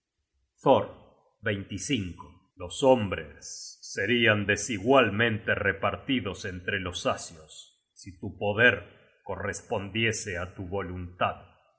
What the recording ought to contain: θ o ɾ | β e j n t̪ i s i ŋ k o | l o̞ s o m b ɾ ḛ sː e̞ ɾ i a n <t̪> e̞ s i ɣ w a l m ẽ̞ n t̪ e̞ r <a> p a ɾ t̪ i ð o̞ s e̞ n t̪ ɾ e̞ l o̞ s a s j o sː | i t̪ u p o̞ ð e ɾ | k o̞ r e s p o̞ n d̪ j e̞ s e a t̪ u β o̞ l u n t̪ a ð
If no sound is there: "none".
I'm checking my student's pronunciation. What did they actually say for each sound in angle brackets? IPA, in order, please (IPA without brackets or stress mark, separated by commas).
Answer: d̪, e